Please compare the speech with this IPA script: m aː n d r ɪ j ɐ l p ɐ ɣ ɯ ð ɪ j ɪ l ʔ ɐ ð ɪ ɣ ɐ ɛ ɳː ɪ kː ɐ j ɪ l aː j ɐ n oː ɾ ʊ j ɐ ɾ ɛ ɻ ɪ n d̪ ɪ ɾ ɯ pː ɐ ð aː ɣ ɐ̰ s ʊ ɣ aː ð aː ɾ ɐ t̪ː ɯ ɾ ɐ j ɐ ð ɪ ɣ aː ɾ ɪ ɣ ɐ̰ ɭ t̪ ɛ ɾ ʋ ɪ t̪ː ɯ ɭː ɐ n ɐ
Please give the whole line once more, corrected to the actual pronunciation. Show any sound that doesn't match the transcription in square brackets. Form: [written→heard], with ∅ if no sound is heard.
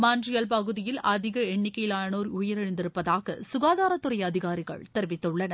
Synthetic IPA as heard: m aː n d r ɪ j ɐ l p ɐ ɣ ɯ ð ɪ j ɪ l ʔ ɐ ð ɪ ɣ ɐ ɛ ɳː ɪ kː ɐ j ɪ l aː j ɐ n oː ɾ ʊ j ɐ ɾ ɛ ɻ ɪ n d̪ ɪ ɾ ɯ pː ɐ ð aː ɣ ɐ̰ s ʊ ɣ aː ð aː ɾ ɐ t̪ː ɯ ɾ ɐ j ɐ ð ɪ ɣ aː ɾ ɪ ɣ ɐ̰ ɭ t̪ ɛ ɾ ʋ ɪ t̪ː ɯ ɭː ɐ n ɐ